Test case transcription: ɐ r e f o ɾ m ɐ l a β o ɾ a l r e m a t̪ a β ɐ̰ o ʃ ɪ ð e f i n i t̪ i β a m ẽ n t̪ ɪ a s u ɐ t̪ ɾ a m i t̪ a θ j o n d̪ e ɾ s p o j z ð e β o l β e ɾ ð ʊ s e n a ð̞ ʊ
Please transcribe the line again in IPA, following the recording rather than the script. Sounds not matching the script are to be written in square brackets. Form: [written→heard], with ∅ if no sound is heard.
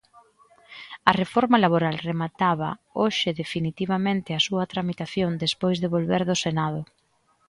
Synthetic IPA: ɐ r e f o ɾ m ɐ l a β o ɾ a l r e m a t̪ a β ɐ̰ o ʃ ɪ ð e f i n i t̪ i β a m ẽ n t̪ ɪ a s u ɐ t̪ ɾ a m i t̪ a θ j o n d̪ e [ɾ→∅] s p o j z ð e β o l β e ɾ ð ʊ s e n a ð̞ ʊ